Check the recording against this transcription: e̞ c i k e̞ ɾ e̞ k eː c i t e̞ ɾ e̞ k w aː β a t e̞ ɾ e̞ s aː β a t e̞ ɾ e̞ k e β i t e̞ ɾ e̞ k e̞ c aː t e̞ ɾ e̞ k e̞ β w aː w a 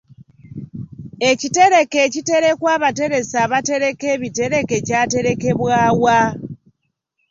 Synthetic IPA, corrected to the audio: e̞ c i t e̞ ɾ e̞ k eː c i t e̞ ɾ e̞ k w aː β a t e̞ ɾ e̞ s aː β a t e̞ ɾ e̞ k e β i t e̞ ɾ e̞ k e̞ c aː t e̞ ɾ e̞ k e̞ β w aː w a